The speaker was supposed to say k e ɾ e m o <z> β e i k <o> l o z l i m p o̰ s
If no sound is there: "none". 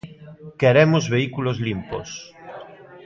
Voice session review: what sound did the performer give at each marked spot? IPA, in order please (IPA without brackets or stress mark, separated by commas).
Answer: z, u